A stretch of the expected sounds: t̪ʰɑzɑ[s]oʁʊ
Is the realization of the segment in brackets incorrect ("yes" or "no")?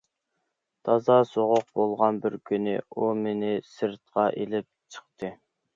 no